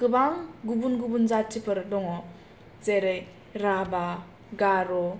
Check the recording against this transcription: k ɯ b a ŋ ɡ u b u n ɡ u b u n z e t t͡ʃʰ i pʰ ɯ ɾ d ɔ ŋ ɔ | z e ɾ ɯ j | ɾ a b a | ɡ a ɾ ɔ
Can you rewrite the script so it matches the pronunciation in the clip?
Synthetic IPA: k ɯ b a ŋ ɡ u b u n ɡ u b u n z a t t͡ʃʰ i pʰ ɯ ɾ d ɔ ŋ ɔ | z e ɾ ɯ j | ɾ a b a | ɡ a ɾ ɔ